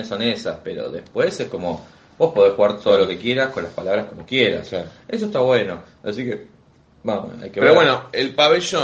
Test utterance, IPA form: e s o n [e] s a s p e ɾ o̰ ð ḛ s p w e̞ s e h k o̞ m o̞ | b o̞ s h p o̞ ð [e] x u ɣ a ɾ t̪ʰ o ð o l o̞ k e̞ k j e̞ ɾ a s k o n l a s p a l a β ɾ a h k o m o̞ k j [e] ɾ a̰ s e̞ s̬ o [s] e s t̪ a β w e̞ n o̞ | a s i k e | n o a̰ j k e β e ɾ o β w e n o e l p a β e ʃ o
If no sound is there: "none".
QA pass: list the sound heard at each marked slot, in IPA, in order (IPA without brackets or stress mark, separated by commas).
e, e, e, none